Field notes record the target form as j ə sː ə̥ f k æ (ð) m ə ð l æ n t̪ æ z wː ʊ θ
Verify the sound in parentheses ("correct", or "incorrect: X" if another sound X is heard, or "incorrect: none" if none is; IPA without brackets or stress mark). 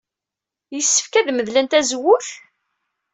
correct